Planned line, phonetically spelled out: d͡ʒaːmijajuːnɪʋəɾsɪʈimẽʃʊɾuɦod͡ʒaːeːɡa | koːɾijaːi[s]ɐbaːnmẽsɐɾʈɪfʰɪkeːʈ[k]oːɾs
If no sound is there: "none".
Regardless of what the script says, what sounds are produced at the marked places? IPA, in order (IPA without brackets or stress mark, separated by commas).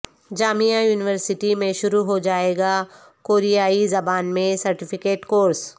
z, k